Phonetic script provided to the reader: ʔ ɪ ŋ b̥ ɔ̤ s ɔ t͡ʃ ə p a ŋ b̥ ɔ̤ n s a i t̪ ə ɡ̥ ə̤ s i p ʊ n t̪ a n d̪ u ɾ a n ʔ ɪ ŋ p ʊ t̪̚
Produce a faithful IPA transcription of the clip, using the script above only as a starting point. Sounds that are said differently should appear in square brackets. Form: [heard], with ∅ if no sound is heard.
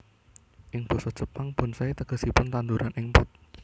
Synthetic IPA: ʔ ɪ ŋ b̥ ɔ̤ s ɔ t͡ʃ ə p a ŋ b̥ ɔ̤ n s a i t̪ ə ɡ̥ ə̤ s i p ʊ n t̪ a n d̪ u ɾ a n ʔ ɪ ŋ p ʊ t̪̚